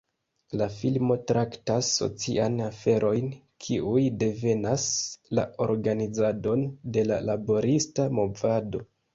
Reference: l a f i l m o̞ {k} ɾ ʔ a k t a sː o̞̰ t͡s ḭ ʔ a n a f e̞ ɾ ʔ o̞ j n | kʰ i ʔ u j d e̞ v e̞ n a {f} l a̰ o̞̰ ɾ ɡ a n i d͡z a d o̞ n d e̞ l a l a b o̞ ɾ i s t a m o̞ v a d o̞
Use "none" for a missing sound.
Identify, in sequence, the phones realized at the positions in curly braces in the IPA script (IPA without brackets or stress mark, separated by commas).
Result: t, s